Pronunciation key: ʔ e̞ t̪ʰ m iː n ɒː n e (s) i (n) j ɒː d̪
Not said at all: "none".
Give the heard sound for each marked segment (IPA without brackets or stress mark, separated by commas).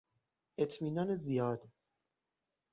z, none